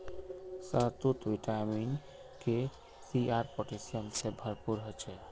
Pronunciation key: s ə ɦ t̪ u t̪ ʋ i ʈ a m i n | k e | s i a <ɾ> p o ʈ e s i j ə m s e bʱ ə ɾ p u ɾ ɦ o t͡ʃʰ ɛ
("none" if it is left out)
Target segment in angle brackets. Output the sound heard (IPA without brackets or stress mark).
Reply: ɾ